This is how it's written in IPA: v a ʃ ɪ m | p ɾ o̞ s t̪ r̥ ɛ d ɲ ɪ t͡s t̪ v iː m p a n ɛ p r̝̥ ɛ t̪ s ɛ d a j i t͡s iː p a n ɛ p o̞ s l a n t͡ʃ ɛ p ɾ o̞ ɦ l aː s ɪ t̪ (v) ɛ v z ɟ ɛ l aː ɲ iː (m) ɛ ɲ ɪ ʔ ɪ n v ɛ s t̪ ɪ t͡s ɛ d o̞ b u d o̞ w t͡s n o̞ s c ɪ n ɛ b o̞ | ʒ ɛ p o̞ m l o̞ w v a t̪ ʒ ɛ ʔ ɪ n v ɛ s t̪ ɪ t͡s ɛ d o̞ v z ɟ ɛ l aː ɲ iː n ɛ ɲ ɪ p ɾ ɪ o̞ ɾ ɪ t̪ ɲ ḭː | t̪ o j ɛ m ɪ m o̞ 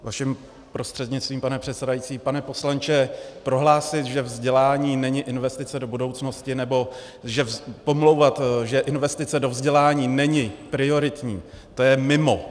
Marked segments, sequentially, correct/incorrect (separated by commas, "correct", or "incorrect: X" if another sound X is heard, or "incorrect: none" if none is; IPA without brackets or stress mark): incorrect: ʒ, incorrect: n